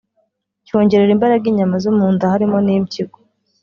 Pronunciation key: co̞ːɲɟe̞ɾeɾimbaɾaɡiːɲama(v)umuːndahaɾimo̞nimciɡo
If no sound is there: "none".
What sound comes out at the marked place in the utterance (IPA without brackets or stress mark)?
z